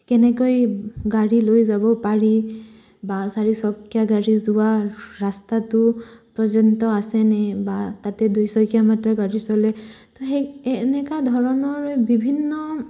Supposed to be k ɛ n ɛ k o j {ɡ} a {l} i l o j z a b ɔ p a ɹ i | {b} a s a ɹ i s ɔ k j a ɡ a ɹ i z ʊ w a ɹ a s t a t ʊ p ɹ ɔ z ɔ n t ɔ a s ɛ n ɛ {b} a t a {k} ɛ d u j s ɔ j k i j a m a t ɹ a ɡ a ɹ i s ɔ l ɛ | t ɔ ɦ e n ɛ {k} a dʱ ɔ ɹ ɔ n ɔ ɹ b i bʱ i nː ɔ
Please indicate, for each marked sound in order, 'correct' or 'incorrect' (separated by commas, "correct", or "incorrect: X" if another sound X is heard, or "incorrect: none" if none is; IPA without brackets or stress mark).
correct, incorrect: ɹ, correct, correct, incorrect: t, correct